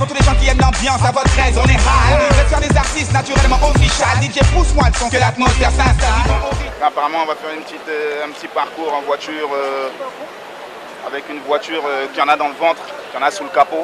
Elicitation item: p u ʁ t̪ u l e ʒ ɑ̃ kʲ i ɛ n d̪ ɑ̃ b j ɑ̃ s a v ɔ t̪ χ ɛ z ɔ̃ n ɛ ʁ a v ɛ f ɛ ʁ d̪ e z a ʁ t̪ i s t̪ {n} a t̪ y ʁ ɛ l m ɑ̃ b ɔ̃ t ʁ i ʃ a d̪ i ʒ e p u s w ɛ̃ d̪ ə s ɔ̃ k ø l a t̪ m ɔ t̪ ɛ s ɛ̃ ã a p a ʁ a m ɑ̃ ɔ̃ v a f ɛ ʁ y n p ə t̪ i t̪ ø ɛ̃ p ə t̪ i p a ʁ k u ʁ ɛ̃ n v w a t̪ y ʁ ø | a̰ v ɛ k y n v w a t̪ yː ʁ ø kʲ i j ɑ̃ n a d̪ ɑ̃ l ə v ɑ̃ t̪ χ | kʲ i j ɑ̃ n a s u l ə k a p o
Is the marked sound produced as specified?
yes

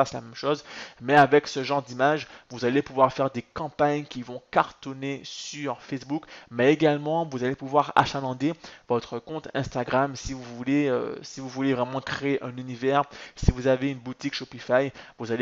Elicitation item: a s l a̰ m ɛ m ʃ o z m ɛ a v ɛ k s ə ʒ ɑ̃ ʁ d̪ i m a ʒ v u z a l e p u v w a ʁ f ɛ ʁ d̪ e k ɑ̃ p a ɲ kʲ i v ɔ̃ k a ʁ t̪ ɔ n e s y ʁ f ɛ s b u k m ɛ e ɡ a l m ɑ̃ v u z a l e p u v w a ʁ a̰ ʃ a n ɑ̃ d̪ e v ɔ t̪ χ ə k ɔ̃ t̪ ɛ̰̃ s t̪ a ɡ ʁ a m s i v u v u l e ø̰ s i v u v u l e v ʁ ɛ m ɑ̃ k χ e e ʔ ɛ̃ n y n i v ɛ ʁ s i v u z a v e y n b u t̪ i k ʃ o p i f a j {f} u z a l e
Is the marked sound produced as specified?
no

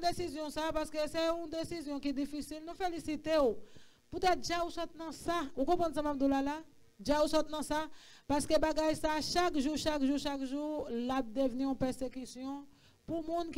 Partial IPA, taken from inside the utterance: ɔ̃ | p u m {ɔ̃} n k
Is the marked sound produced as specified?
no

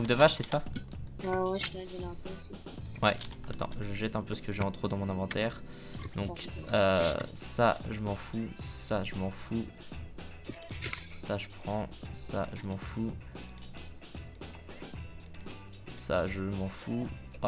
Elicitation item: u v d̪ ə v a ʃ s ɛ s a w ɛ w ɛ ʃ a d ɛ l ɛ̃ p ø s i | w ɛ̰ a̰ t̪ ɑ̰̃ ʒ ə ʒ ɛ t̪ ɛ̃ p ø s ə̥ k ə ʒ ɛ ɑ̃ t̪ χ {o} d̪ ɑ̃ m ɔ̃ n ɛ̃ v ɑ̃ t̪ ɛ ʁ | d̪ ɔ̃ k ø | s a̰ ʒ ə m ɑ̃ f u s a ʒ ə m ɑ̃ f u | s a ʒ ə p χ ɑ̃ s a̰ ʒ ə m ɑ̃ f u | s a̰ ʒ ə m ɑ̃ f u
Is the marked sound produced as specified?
yes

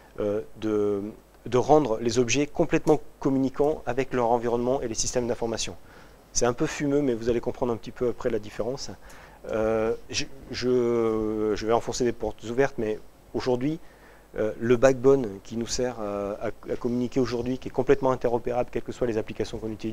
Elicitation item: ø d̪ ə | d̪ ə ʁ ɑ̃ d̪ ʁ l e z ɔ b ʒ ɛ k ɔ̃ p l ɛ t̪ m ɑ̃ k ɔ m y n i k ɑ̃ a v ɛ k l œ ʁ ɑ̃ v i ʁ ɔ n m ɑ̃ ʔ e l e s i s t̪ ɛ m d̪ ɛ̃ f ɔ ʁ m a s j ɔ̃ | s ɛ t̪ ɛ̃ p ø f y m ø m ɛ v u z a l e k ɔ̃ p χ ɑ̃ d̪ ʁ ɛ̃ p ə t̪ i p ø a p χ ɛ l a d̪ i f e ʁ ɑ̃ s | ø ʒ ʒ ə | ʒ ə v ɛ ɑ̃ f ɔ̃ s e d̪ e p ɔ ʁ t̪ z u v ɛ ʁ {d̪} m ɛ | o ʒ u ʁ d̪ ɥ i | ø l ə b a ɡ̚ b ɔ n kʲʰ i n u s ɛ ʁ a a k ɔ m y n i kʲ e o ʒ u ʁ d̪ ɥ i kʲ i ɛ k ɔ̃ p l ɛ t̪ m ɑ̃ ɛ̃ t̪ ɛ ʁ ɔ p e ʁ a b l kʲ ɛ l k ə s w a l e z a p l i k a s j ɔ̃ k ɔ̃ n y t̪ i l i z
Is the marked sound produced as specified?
no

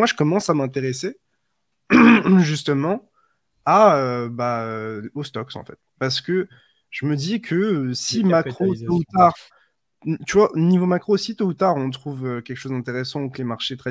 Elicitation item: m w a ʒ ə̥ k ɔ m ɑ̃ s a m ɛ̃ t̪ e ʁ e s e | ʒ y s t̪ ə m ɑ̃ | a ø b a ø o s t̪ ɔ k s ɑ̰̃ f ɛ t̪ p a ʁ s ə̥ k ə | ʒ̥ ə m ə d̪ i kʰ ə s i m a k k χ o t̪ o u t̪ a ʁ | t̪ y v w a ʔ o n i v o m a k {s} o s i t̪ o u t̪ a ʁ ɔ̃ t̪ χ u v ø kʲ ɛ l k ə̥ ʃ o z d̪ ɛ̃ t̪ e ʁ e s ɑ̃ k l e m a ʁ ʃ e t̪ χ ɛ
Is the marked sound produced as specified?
no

